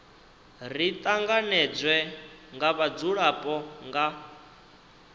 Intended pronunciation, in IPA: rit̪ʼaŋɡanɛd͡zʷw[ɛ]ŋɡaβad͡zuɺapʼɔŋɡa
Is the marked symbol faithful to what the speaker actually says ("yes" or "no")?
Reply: yes